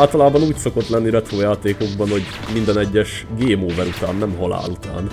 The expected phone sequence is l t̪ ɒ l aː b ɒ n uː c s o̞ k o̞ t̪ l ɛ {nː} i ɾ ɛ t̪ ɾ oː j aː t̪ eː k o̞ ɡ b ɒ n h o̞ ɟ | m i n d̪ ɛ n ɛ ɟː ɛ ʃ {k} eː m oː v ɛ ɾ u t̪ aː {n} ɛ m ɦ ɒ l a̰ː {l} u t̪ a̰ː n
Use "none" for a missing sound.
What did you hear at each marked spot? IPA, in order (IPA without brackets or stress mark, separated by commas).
nː, ɡ, nː, l